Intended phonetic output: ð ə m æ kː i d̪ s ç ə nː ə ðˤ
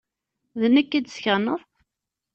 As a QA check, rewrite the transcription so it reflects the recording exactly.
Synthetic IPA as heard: ð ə n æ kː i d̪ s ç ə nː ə ðˤ